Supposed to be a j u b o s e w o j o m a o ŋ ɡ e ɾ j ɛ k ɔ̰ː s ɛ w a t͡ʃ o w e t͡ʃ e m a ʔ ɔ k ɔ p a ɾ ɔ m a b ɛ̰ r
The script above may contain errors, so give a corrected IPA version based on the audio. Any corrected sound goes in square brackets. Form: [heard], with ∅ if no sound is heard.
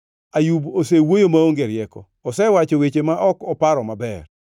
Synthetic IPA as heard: a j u b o s e w o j o m a o ŋ ɡ e ɾ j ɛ k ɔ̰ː s ɛ w a t͡ʃ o w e t͡ʃ e m a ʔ ɔ k ɔ p a ɾ ɔ m a b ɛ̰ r